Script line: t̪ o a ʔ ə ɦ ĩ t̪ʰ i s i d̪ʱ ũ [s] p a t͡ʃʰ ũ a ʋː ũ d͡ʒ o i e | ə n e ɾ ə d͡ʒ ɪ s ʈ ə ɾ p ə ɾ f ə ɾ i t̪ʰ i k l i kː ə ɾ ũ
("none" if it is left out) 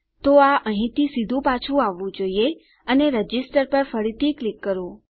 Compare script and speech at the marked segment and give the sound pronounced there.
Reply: none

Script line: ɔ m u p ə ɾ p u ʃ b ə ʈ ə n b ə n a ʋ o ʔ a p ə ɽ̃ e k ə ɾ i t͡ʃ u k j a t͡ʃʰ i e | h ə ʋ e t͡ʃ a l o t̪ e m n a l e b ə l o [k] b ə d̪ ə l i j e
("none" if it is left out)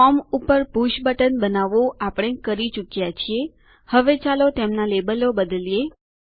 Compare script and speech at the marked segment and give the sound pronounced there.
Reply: none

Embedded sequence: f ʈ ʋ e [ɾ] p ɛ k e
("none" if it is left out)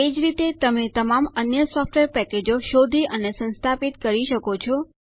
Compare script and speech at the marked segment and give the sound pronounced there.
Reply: ɾ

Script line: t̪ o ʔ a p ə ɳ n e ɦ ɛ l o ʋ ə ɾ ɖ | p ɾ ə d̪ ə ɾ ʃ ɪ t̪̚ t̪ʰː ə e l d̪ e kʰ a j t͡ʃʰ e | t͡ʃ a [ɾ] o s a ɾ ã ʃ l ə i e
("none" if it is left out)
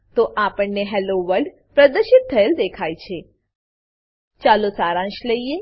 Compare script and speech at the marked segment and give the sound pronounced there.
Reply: l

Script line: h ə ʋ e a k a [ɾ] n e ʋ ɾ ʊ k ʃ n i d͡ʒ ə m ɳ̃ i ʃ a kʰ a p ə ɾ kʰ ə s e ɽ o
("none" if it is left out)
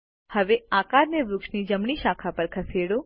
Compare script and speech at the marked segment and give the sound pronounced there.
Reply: ɾ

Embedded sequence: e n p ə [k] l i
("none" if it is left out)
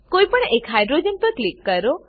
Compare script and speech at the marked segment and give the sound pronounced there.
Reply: k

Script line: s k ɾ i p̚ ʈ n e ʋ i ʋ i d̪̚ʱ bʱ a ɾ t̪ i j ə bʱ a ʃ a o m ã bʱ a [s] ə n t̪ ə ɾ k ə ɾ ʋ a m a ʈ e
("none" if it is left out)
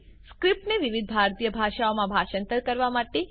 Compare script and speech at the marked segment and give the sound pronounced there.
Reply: ʃ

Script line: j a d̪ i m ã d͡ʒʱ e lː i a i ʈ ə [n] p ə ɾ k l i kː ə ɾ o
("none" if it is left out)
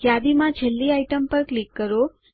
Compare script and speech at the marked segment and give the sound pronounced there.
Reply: m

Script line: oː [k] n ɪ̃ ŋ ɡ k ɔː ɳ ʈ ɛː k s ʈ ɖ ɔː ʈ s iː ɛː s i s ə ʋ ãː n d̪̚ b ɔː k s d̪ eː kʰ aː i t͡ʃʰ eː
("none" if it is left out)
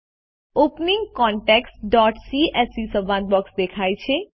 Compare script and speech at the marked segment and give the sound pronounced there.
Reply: p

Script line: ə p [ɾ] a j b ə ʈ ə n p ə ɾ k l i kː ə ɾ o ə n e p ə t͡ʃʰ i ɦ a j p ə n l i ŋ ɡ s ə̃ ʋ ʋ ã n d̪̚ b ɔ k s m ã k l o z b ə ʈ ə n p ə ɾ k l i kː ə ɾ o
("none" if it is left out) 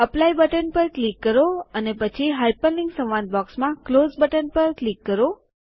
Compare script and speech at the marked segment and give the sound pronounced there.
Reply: l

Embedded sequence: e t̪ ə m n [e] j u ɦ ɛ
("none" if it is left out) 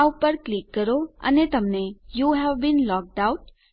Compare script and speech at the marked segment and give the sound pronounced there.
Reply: e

